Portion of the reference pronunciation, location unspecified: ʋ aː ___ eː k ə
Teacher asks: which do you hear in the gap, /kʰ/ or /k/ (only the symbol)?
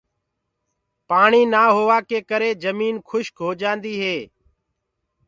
k